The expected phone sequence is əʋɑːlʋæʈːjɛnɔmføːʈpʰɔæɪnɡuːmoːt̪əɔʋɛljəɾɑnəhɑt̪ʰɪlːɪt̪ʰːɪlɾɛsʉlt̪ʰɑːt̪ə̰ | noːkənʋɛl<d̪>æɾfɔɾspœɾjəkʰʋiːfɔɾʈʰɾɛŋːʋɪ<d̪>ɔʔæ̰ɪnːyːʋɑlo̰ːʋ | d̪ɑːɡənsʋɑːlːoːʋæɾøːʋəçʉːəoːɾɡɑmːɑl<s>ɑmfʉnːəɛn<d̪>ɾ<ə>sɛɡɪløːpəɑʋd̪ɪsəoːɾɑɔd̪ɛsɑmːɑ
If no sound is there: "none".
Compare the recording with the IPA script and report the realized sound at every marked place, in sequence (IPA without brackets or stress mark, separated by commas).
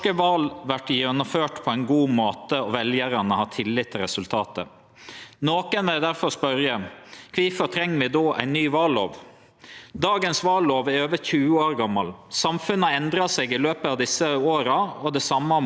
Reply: d̪, d̪, s, d̪, ɑ